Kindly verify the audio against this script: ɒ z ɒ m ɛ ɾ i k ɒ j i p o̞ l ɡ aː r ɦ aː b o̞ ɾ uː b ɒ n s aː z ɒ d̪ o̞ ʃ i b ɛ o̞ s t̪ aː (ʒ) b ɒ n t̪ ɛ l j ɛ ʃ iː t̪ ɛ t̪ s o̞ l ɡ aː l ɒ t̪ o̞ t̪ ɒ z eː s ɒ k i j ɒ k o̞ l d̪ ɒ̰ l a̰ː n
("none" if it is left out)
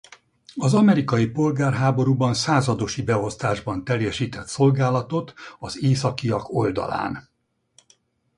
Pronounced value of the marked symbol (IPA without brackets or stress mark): ʒ